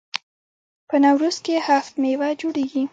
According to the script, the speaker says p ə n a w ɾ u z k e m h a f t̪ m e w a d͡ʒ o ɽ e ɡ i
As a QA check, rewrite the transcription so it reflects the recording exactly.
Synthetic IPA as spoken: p ə n a w ɾ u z k e h a f t̪ m e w a d͡ʒ o ɽ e ɡ i